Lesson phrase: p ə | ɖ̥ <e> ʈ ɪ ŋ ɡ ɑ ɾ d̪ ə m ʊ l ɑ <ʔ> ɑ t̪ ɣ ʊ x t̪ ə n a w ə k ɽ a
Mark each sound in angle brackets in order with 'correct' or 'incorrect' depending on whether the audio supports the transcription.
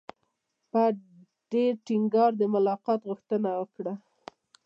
correct, incorrect: q

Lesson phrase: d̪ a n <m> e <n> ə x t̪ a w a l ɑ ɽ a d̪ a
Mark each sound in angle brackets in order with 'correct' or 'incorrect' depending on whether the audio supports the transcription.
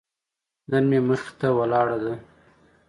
correct, incorrect: m

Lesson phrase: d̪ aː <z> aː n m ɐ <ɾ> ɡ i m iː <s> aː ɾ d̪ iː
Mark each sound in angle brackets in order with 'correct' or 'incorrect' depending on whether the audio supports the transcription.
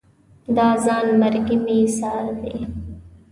correct, correct, correct

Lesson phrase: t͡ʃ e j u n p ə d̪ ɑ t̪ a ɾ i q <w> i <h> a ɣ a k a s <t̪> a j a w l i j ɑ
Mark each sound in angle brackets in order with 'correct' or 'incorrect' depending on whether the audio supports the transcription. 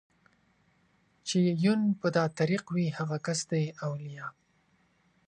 correct, correct, incorrect: d̪

